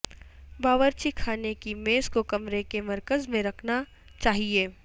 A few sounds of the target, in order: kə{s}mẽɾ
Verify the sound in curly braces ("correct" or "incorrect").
incorrect